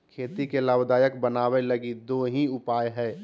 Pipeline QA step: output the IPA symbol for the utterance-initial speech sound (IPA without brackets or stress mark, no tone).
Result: kʰ